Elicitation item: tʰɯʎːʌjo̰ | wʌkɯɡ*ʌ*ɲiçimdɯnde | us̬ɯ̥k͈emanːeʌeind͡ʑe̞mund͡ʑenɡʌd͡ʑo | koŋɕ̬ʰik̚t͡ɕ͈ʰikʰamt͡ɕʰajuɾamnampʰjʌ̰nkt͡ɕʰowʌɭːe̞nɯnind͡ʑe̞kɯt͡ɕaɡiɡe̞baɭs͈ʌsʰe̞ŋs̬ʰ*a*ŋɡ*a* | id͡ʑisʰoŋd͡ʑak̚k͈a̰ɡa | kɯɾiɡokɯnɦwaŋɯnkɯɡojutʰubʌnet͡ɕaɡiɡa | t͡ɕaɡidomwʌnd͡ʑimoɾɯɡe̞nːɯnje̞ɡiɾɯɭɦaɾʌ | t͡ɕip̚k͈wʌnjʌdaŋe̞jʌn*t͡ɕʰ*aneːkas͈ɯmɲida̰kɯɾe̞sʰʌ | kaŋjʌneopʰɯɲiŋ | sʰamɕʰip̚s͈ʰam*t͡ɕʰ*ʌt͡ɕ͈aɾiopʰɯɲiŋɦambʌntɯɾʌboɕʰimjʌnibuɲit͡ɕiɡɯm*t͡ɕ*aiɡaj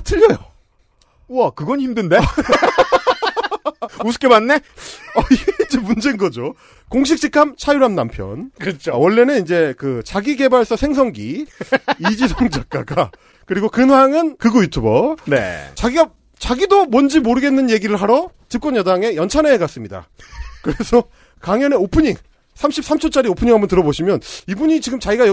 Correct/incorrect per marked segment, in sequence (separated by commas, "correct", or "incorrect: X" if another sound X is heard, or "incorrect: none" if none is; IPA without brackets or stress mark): correct, incorrect: ʌ, incorrect: i, correct, correct, correct